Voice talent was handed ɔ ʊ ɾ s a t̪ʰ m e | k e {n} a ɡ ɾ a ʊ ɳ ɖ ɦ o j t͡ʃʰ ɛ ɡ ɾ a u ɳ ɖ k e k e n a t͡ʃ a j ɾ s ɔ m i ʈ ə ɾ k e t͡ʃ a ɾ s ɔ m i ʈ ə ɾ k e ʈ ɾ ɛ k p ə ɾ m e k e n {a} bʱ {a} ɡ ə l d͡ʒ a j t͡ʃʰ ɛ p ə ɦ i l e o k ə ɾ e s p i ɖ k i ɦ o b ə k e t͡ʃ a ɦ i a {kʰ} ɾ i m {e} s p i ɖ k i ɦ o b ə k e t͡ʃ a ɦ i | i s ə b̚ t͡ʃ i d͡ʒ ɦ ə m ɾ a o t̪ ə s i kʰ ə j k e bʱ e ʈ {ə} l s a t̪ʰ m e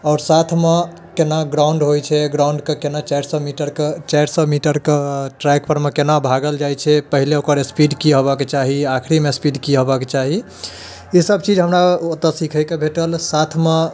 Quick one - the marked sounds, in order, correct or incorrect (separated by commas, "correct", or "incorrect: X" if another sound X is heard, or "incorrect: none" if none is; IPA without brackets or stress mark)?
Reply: correct, correct, correct, correct, correct, correct